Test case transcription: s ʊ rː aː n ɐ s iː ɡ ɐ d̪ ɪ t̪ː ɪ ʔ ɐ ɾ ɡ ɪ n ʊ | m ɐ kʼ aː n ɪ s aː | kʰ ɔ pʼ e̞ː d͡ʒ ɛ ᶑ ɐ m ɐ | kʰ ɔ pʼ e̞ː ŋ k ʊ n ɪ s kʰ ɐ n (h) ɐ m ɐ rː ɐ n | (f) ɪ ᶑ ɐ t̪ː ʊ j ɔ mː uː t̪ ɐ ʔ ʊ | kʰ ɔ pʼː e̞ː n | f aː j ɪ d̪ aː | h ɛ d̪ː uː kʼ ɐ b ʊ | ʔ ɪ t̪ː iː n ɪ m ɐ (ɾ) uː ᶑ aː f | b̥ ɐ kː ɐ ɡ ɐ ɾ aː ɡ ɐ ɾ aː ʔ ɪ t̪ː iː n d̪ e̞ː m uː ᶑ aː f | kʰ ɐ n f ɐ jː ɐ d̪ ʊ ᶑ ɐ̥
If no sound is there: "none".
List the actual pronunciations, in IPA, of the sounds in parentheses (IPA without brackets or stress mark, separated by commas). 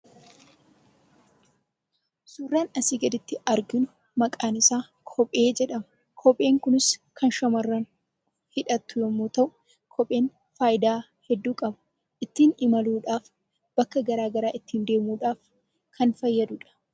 ʃ, h, l